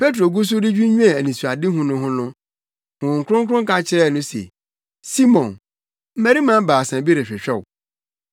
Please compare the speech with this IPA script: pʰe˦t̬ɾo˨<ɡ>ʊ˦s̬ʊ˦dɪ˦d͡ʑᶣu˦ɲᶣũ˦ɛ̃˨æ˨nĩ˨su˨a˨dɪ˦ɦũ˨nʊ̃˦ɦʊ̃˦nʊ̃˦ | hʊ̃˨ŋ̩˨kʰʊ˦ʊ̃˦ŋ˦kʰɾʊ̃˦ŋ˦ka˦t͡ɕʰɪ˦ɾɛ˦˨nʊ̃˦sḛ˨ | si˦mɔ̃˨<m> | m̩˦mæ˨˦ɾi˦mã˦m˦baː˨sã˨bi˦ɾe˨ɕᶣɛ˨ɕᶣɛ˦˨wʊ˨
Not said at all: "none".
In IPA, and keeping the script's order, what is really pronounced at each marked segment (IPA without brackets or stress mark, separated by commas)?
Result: ɡ, n